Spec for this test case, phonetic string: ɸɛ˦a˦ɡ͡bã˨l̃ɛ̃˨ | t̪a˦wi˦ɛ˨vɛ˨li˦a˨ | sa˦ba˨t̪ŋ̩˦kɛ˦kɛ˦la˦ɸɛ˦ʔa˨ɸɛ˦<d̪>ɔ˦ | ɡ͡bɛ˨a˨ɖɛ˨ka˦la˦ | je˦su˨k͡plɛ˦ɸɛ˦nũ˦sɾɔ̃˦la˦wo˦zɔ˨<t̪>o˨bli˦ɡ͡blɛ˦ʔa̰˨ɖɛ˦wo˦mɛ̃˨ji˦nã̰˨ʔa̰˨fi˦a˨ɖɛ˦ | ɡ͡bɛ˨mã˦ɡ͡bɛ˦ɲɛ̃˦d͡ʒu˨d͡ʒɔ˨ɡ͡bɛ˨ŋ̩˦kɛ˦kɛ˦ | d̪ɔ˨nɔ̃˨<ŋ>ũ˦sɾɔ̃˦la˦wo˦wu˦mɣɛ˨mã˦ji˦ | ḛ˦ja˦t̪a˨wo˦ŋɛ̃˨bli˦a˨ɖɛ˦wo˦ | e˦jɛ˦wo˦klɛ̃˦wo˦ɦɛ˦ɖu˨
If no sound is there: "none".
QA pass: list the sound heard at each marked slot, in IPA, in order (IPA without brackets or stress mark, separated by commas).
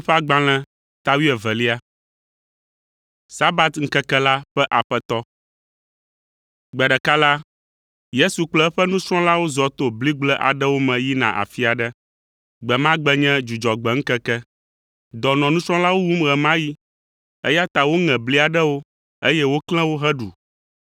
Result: t̪, t̪, n